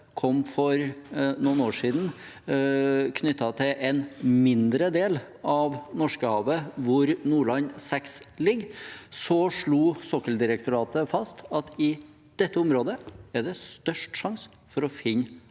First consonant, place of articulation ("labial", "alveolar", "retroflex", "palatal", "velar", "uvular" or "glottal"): velar